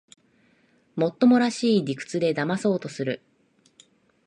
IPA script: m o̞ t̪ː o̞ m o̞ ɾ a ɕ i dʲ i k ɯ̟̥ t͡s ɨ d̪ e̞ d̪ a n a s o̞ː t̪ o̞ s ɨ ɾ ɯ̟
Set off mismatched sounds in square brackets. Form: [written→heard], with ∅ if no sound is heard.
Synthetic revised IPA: m o̞ t̪ː o̞ m o̞ ɾ a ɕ [i→iː] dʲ i k ɯ̟̥ t͡s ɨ d̪ e̞ d̪ a [n→m] a s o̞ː t̪ o̞ s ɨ ɾ ɯ̟